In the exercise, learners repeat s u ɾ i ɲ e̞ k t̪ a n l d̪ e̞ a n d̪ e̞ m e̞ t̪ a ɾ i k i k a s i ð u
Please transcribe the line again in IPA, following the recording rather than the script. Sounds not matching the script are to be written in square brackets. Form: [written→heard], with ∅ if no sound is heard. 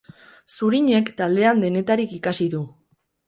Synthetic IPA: s u ɾ i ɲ e̞ k t̪ a [n→∅] l d̪ e̞ a n d̪ e̞ [m→n] e̞ t̪ a ɾ i k i k a s i ð u